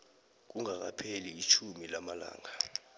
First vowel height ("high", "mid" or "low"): high